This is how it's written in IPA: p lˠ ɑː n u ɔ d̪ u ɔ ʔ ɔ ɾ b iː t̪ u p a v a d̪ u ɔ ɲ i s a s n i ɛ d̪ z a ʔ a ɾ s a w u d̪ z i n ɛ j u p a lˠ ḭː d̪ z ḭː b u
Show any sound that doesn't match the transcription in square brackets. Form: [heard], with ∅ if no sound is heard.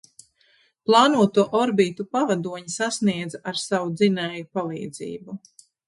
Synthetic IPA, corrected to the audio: p lˠ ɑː n u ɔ [t̪] u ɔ ʔ ɔ ɾ b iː t̪ u p a v a d̪ u ɔ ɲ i s a s n i ɛ d̪ z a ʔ a ɾ s a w u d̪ z i n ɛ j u p a lˠ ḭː d̪ z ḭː b u